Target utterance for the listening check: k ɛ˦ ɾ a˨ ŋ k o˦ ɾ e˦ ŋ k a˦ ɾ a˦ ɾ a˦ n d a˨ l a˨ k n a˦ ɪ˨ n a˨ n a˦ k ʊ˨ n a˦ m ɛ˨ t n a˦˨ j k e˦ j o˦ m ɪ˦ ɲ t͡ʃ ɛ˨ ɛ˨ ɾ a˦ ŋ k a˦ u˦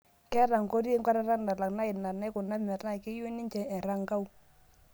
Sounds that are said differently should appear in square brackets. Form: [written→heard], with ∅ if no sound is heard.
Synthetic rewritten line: k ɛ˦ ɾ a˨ ŋ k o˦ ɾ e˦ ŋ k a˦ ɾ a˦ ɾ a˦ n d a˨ l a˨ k n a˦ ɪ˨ n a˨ n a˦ k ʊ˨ n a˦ m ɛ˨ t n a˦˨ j k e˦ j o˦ [m→n] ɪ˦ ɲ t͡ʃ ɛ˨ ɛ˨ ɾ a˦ ŋ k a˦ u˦